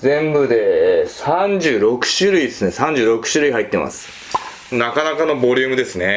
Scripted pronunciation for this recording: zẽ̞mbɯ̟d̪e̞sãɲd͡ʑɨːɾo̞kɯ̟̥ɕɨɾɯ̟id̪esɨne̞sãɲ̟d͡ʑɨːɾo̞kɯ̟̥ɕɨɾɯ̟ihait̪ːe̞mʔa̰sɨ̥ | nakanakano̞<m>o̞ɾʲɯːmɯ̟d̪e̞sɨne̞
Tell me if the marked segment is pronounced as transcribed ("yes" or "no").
no